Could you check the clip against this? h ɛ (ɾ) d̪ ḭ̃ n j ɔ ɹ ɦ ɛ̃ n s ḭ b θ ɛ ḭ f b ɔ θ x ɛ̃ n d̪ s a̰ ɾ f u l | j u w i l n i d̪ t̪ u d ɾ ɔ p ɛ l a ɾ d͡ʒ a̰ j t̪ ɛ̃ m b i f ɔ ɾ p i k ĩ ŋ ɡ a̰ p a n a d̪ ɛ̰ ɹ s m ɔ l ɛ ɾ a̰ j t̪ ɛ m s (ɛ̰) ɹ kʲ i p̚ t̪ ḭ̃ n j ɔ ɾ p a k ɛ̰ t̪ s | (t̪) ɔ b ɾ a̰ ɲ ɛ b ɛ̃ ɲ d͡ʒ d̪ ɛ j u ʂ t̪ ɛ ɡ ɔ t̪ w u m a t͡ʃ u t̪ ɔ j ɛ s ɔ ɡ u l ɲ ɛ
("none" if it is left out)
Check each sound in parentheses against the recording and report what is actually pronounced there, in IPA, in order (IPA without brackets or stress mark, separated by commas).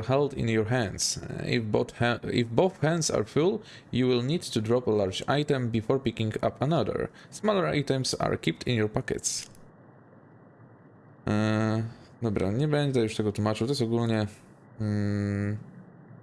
l, a̰, d̪